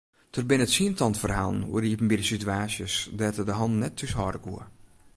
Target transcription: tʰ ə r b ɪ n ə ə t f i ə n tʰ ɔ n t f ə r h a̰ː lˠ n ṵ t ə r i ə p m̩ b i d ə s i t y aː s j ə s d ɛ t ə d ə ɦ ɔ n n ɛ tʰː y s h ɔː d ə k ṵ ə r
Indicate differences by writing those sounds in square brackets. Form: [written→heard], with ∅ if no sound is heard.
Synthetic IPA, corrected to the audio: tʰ ə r b ɪ n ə ə t [f→s] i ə n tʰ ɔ n t f ə r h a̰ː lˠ n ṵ [t→∅] ə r i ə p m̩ b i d ə s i t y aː s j ə s d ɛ t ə d ə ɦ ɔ n n ɛ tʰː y s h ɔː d ə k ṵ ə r